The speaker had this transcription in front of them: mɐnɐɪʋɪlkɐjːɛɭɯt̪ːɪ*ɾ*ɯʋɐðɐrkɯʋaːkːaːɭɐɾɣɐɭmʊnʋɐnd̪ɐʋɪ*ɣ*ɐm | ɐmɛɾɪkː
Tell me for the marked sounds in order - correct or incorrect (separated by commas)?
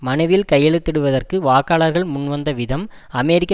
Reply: incorrect, incorrect